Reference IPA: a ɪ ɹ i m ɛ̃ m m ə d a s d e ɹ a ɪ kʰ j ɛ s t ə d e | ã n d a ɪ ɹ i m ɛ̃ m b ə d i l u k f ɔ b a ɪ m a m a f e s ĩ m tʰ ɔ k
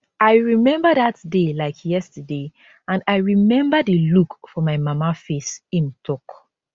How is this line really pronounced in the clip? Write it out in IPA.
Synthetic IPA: a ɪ ɹ i m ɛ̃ m b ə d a t d e l a ɪ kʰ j ɛ s t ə d e | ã n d a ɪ ɹ i m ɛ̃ m b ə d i l u k f ɔ m a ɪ m a m a f e s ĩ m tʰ ɔ k

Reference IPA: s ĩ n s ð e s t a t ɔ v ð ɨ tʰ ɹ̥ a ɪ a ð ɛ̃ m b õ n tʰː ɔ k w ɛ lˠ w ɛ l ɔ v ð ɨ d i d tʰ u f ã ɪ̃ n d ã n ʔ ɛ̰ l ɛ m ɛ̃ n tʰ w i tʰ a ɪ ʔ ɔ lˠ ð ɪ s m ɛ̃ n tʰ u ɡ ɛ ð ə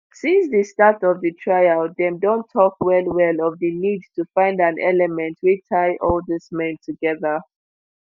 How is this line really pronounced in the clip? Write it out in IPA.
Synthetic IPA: s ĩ n s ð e s t a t ɔ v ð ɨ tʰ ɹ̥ a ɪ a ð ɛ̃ m d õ n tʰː ɔ k w ɛ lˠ w ɛ l ɔ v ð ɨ n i d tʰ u f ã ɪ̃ n d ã n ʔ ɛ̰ l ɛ m ɛ̃ n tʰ w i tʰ a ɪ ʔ ɔ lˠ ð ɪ s m ɛ̃ n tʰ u ɡ ɛ ð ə

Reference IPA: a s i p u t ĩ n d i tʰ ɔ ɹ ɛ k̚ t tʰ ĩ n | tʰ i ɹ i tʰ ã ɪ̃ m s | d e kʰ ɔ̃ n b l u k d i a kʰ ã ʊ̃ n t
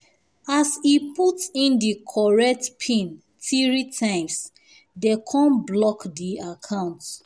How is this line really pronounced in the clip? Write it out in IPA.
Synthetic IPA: a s i p u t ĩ n d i kʰ ɔ ɹ ɛ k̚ t pʰ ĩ n | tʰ i ɹ i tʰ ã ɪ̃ m s | d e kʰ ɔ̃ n b l ɔ k d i a kʰ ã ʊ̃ n t

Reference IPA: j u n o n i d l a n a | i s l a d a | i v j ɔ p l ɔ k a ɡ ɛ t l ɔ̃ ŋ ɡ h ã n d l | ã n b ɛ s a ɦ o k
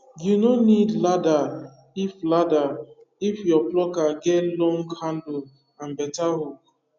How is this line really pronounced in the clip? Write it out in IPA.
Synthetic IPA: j u n o n i d l a d a | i f l a d a | i f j ɔ p l ɔ k a ɡ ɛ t l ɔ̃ ŋ ɡ h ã n d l | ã n b ɛ t a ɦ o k

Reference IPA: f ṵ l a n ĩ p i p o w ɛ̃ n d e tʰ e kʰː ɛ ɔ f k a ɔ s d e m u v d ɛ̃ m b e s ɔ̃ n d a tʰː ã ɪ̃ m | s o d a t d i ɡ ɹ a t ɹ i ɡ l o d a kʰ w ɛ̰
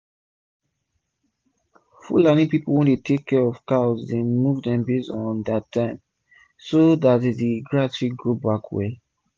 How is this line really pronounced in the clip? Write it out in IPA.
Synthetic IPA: f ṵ l a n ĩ p i p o w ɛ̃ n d e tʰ e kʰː ɛ ɔ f k a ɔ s d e m u v d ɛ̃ m b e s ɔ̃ n d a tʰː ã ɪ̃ m | s o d a t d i ɡ ɹ a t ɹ i ɡ ɹ o b a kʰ w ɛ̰

